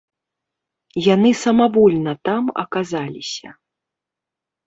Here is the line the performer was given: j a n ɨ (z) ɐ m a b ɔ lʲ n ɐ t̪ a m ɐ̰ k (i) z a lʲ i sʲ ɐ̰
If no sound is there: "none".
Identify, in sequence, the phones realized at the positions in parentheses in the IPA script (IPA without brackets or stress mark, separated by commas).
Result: s, a